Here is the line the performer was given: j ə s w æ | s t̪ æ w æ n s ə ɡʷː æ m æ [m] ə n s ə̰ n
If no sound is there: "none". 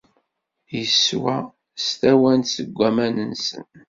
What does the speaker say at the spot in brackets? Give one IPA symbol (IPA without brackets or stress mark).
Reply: n